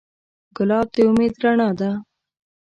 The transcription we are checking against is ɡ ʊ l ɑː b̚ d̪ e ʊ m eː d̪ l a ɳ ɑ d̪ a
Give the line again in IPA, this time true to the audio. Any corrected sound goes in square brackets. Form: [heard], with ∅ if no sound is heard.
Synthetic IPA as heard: ɡ ʊ l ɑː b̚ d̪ e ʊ m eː d̪ [ɾ] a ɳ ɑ d̪ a